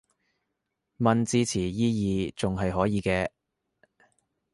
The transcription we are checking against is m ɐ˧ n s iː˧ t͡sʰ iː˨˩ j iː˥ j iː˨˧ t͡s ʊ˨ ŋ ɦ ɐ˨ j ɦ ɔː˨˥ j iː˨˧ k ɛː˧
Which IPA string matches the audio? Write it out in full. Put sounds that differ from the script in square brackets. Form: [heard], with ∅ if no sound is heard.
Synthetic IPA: m ɐ˧ n [t͡s] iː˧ t͡sʰ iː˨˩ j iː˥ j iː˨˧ t͡s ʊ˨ ŋ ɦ ɐ˨ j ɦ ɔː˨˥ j iː˨˧ k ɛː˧